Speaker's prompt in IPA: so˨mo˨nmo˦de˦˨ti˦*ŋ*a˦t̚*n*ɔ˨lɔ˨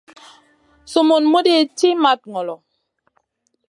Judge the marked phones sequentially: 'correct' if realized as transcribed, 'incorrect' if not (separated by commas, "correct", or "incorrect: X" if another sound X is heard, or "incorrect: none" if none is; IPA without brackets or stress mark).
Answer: incorrect: m, incorrect: ŋ